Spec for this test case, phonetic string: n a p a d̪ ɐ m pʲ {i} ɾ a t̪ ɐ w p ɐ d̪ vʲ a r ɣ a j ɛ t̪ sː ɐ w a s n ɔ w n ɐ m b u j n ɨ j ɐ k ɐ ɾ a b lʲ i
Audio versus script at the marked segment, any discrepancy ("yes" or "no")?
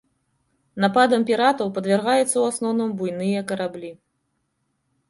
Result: no